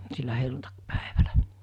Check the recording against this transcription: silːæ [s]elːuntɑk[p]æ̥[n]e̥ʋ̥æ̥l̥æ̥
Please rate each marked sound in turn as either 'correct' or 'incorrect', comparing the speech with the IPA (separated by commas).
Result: incorrect, correct, incorrect